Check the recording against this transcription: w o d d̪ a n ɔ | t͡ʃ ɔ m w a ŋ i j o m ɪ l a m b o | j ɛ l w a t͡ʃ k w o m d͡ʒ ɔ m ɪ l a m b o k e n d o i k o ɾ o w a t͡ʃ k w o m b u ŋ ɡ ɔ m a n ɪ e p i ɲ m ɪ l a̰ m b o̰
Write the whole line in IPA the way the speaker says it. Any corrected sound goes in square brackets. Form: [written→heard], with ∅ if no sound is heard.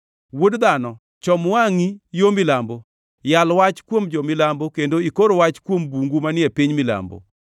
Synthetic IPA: w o d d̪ a n ɔ | t͡ʃ ɔ m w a ŋ i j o m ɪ l a m b o | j [ɛ→a] l w a t͡ʃ k w o m d͡ʒ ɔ m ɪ l a m b o k e n d o i k o ɾ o w a t͡ʃ k w o m b u ŋ ɡ [ɔ→u] m a n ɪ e p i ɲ m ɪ l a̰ m b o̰